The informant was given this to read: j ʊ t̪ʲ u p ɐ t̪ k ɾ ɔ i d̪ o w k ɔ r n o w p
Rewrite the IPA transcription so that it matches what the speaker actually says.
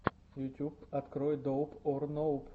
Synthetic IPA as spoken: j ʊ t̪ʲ u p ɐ t̪ k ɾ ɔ j d̪ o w p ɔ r n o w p